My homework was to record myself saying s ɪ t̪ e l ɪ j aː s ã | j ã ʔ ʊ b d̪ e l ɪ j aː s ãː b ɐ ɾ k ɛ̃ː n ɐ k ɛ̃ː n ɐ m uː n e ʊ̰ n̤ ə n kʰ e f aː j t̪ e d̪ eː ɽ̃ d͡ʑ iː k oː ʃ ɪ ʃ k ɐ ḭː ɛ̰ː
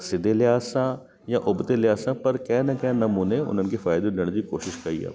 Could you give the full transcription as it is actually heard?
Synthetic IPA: s ɪ d̪ e l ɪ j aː s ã | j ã ʔ ʊ b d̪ e l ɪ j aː s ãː p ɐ ɾ k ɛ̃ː n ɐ k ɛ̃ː n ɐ m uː n e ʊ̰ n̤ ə n k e f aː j d̪ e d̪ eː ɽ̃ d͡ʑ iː k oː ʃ ɪ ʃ k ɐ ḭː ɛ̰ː